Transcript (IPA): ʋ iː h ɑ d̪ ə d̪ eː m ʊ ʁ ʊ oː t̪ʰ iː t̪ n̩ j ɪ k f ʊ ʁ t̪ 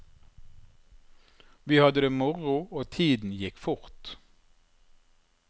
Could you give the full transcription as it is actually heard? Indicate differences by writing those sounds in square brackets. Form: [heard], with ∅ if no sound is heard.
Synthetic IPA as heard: ʋ iː h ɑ d̪ ə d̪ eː m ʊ ʁ ʊ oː t̪ʰ iː [d̪] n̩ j ɪ k f ʊ ʁ t̪